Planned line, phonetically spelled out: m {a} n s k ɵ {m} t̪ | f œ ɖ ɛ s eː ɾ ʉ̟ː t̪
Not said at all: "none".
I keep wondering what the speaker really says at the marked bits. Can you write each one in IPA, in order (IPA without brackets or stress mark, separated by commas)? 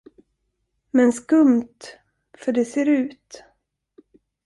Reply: ɛ, m